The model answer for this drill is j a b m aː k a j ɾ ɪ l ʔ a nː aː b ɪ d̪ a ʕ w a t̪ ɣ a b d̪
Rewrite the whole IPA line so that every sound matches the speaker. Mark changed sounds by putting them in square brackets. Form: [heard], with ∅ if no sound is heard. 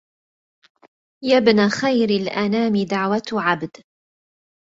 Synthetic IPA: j a b [n] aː [x] a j ɾ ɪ l ʔ a [n] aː [m] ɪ d̪ a ʕ w a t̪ [ʕ] a b d̪